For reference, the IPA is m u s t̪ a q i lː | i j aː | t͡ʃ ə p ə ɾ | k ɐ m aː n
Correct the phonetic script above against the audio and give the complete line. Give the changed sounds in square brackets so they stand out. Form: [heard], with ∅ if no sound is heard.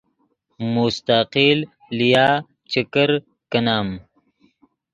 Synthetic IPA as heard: m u s t̪ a q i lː | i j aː | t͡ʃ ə [k] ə ɾ | k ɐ [n] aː [m]